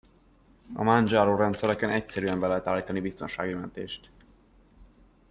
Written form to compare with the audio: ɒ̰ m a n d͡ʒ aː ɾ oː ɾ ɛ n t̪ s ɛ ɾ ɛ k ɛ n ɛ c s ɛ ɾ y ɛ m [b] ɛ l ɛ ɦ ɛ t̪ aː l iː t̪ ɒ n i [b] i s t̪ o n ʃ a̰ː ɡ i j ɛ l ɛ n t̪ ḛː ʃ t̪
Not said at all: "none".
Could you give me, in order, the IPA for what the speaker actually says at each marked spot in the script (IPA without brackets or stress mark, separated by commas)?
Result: b, b